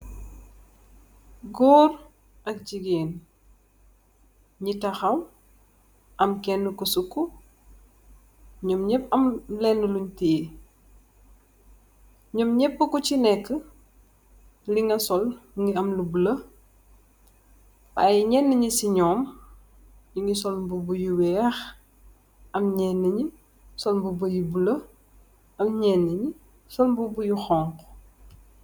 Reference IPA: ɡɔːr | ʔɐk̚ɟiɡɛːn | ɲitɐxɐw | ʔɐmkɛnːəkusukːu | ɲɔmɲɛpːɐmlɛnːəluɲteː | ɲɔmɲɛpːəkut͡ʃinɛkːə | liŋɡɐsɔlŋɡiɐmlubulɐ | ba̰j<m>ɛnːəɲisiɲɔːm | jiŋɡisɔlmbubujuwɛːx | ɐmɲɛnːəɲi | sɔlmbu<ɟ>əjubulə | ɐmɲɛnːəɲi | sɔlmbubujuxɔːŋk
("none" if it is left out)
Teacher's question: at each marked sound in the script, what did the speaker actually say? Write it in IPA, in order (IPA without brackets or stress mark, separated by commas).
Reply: ɲ, b